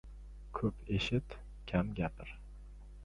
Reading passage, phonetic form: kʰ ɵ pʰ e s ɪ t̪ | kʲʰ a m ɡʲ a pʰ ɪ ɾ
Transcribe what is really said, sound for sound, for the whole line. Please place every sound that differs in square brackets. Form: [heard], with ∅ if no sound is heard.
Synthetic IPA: kʰ ɵ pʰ e [ʃ] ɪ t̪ | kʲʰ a m ɡʲ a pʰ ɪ ɾ